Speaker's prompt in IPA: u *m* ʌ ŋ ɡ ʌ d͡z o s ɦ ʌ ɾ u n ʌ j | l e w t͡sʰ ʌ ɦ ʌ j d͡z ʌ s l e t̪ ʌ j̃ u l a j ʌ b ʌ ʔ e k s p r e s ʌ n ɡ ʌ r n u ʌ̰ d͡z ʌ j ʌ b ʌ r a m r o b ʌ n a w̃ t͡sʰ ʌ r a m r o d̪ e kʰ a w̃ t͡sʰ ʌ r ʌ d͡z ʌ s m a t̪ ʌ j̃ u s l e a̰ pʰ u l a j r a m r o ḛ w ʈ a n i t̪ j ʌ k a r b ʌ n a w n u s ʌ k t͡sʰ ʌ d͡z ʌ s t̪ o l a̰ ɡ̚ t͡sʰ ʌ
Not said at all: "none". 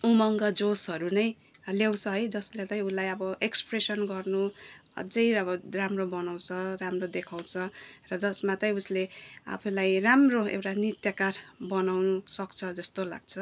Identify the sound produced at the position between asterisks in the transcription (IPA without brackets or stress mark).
m